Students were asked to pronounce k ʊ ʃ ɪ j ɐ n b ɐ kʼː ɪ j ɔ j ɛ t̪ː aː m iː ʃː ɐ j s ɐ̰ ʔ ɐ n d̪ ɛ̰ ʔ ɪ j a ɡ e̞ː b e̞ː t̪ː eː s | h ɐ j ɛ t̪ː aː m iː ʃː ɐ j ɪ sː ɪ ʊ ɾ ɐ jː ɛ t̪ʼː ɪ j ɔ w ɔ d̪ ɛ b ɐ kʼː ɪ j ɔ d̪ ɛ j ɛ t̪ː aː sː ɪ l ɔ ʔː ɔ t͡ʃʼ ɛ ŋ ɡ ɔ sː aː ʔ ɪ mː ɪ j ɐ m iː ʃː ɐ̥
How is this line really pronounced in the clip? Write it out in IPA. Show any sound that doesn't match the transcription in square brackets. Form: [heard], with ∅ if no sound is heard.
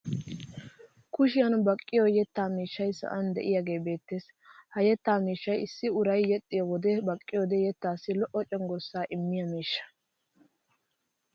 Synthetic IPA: k ʊ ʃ ɪ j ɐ n b ɐ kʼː ɪ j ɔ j ɛ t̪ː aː m iː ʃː ɐ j s ɐ̰ ʔ ɐ n d̪ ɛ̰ ʔ ɪ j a ɡ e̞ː b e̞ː t̪ː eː s | h ɐ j ɛ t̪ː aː m iː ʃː ɐ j ɪ sː ɪ ʊ ɾ ɐ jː ɛ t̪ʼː ɪ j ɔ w ɔ d̪ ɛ b ɐ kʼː ɪ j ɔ d̪ ɛ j ɛ t̪ː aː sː ɪ l ɔ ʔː ɔ t͡ʃʼ ɛ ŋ ɡ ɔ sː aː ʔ ɪ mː ɪ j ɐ m iː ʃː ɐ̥